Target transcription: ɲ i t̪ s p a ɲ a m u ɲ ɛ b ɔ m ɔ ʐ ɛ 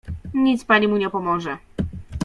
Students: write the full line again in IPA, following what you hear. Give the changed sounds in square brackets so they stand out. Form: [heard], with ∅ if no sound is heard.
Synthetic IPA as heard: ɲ i t̪ s p a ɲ [i] m u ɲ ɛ [p] ɔ m ɔ ʐ ɛ